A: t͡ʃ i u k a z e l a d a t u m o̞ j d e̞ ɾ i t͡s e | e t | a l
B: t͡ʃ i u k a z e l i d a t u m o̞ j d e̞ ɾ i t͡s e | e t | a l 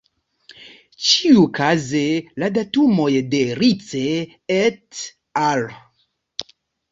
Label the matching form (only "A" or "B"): A